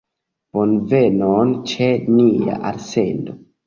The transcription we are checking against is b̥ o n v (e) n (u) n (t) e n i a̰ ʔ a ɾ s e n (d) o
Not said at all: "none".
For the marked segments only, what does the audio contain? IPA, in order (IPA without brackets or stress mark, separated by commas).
e, o, t͡ʃ, d